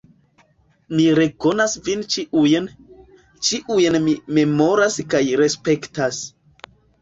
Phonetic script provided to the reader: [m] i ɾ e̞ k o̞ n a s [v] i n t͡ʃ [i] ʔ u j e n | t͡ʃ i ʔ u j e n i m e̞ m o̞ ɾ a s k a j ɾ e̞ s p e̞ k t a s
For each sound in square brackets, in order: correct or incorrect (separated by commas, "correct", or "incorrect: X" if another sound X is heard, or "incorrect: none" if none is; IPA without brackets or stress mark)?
correct, correct, correct